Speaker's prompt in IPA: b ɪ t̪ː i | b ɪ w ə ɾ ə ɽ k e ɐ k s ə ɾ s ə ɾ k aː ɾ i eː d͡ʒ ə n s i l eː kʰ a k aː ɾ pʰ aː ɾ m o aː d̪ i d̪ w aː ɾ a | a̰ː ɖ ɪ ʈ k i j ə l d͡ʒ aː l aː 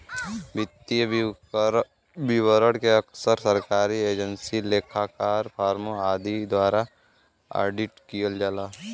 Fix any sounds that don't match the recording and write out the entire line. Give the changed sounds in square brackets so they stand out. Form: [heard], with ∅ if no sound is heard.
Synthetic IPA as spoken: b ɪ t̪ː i | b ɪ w ə ɾ ə ɽ k e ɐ k s ə ɾ s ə ɾ k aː ɾ i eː d͡ʒ ə n s i l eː kʰ a k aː ɾ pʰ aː ɾ m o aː d̪ i d̪ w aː ɾ a | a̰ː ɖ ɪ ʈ k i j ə l d͡ʒ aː l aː